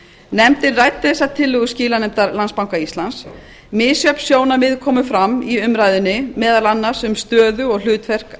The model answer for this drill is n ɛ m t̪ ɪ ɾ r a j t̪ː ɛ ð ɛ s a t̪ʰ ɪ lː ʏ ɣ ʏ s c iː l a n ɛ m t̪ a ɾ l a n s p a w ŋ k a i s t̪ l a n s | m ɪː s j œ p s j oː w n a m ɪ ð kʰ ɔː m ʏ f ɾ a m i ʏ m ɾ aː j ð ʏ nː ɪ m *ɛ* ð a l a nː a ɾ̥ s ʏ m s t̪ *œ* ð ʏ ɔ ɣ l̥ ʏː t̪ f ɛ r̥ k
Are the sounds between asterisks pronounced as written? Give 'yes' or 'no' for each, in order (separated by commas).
no, no